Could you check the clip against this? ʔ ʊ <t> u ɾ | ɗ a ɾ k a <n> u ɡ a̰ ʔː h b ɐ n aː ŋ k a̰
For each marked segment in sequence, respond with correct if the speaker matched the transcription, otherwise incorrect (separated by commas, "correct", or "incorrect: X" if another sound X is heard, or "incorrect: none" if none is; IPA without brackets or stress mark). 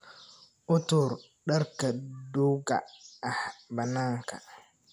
correct, incorrect: d